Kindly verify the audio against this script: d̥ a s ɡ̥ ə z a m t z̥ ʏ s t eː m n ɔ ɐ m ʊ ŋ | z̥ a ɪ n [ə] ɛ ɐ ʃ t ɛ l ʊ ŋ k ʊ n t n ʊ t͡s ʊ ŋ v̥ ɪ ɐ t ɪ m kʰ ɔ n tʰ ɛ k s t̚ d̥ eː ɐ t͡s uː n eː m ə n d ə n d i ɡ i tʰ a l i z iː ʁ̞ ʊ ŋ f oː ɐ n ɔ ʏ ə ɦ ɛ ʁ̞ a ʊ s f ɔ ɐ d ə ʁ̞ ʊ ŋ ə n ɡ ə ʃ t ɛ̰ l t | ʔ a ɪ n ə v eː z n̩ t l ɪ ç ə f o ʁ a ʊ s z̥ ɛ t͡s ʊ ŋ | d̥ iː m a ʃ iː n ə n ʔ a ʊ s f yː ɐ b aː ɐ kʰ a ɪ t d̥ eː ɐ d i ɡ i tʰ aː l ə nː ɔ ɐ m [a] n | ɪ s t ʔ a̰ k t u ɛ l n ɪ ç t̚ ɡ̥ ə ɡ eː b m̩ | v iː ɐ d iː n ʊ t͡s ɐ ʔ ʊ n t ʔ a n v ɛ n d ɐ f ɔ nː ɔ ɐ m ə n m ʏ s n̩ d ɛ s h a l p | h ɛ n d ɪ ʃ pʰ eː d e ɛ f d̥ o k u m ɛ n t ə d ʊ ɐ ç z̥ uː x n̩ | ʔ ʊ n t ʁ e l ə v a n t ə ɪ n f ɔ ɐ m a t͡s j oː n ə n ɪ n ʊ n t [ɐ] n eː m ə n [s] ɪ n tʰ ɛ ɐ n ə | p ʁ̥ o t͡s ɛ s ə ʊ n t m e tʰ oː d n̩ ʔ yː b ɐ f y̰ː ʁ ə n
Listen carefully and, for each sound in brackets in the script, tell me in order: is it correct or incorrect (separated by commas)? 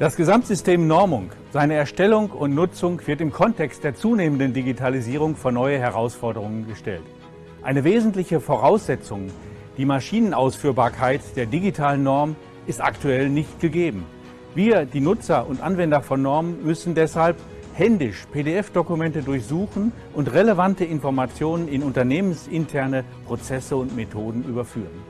correct, incorrect, correct, correct